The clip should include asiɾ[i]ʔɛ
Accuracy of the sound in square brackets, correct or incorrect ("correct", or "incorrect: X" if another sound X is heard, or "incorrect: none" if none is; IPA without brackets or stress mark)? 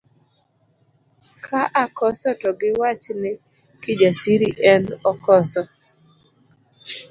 correct